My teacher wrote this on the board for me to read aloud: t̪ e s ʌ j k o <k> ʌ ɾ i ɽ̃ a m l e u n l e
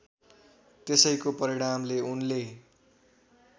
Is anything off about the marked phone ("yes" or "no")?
yes